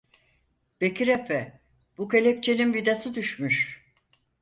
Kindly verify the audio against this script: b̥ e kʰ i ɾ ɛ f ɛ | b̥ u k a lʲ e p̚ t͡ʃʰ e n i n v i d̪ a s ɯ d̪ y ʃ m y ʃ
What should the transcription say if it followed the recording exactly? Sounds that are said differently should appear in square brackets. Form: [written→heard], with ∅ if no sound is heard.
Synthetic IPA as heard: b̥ e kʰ i ɾ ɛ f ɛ | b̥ u k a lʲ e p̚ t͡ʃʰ e n i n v i d̪ a s ɯ d̪ y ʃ m y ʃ